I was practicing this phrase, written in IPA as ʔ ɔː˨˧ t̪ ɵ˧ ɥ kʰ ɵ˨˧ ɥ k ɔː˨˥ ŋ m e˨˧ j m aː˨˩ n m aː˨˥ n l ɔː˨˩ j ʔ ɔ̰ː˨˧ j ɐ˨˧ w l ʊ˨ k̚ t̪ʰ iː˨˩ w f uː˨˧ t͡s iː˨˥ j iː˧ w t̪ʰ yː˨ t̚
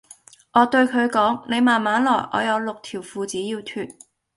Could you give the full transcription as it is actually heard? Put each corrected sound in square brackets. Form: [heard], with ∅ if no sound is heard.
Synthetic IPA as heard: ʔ ɔː˨˧ t̪ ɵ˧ ɥ kʰ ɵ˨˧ ɥ k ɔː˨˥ ŋ [n] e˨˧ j m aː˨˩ n m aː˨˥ n l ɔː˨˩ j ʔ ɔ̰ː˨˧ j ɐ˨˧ w l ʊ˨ k̚ t̪ʰ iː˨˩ w f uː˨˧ t͡s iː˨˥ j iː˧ w t̪ʰ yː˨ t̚